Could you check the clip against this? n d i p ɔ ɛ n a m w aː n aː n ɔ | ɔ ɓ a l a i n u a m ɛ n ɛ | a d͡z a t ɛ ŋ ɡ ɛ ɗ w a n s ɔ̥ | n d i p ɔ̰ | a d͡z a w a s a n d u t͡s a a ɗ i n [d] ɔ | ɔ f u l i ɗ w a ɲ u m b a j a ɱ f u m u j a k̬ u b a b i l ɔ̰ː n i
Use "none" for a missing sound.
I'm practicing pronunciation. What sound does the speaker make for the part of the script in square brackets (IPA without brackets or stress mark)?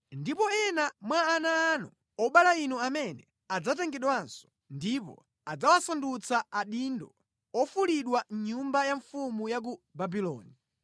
d